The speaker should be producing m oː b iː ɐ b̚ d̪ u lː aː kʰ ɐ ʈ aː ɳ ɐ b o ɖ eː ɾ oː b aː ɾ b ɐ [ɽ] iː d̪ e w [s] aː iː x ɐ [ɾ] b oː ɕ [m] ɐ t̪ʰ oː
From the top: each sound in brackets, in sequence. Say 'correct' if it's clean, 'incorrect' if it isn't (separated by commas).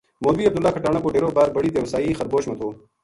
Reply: correct, correct, correct, correct